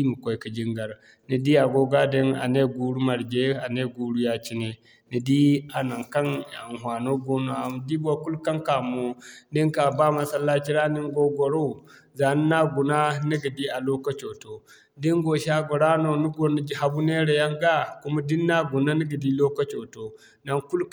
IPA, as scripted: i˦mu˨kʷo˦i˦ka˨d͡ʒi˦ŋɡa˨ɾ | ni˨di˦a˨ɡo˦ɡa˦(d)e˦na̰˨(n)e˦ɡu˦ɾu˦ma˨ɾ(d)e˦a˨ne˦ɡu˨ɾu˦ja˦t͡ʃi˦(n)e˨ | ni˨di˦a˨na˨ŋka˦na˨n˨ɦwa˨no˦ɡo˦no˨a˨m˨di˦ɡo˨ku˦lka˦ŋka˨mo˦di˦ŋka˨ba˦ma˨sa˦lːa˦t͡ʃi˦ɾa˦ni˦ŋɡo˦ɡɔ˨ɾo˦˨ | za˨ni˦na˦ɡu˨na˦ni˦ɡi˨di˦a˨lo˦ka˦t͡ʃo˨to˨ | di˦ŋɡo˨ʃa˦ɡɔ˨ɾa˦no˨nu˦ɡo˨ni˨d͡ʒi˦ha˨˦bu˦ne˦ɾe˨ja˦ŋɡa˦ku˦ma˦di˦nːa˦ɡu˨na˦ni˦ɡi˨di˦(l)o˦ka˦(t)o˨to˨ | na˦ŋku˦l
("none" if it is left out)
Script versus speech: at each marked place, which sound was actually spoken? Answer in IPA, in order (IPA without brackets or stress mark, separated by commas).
d, n, d͡ʒ, n, l, t͡ʃ